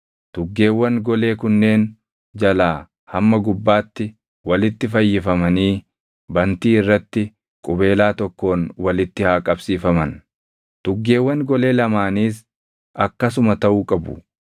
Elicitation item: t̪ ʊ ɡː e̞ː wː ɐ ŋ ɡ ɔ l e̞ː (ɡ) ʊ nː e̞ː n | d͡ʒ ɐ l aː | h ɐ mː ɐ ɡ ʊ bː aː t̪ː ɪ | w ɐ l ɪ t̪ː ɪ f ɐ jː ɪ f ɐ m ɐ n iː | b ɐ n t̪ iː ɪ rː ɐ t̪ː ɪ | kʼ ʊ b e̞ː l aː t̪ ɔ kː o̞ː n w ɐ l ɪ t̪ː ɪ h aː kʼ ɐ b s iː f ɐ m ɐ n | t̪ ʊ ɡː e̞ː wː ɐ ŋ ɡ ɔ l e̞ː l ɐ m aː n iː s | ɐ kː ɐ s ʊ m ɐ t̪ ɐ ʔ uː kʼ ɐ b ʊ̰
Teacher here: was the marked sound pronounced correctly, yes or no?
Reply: no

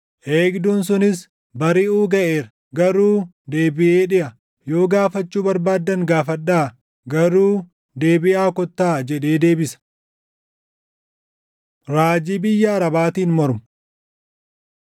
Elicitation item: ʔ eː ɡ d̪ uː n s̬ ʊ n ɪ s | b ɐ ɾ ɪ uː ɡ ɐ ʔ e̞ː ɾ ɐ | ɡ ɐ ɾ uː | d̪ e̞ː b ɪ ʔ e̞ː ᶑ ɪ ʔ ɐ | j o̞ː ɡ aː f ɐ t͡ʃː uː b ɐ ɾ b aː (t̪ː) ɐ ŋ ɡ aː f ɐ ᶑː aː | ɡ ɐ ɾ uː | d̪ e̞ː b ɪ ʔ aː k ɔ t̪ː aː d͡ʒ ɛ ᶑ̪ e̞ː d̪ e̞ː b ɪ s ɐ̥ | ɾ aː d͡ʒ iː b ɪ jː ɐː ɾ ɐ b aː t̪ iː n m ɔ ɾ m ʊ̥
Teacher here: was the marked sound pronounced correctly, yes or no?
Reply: no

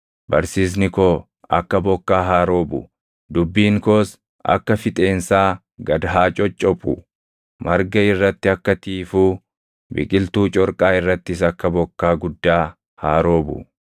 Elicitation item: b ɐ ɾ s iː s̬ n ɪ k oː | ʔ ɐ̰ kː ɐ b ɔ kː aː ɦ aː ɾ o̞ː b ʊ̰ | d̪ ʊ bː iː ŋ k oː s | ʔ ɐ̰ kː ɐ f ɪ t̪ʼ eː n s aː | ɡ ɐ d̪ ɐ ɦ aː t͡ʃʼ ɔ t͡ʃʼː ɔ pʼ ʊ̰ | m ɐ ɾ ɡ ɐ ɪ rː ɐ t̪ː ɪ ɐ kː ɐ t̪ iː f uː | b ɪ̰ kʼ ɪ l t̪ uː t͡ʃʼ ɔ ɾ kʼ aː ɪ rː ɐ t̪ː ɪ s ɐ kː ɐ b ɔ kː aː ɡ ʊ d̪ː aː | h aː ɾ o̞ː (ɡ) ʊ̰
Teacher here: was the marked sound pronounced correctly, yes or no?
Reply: no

